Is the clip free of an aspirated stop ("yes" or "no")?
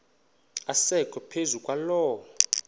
no